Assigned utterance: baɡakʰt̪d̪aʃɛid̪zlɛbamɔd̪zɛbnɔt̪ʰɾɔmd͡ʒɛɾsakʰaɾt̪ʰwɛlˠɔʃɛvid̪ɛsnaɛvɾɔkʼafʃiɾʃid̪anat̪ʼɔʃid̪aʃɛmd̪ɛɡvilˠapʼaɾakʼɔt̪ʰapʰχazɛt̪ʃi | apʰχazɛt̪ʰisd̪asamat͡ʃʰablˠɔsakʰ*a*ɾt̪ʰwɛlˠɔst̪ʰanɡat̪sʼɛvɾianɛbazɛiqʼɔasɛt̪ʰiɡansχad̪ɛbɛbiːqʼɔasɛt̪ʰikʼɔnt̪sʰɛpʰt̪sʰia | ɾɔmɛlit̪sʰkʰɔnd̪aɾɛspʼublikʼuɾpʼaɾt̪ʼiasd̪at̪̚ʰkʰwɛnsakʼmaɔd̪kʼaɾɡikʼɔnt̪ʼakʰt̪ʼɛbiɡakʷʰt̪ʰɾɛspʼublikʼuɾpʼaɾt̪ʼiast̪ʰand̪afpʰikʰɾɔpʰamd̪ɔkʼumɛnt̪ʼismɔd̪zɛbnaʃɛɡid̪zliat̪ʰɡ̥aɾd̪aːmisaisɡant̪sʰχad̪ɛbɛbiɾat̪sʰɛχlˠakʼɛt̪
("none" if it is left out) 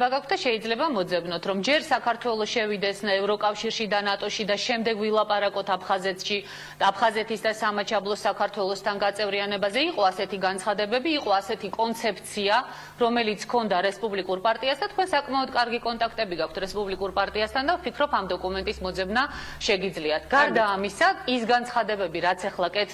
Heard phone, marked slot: a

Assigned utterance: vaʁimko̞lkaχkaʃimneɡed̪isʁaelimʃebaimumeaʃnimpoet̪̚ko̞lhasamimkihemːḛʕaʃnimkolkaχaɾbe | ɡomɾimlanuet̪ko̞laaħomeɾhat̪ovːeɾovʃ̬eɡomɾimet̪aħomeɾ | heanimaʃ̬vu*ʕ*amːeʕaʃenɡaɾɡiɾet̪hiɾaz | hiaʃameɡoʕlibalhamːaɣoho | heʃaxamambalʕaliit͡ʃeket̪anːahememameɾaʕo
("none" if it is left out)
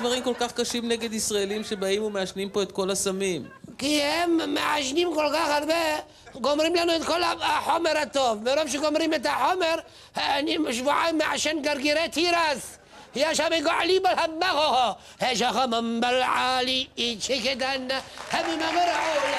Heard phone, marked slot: ʕ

